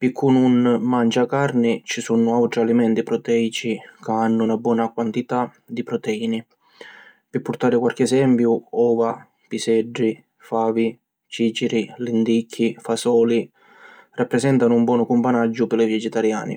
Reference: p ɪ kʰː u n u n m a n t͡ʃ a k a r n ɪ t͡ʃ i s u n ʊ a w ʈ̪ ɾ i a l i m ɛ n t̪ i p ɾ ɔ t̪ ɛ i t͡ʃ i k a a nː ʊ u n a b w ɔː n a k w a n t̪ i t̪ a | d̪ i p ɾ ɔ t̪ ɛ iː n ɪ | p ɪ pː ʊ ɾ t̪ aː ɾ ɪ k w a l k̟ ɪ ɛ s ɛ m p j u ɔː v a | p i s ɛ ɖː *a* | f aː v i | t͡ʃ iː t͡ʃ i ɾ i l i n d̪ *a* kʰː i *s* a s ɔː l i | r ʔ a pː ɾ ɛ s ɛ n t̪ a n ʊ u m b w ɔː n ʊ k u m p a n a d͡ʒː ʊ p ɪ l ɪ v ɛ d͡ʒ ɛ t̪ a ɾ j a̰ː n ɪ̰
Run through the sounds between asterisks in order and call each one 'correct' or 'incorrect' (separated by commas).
incorrect, incorrect, incorrect